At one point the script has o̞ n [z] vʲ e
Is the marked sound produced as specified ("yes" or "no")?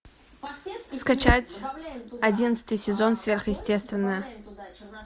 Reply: no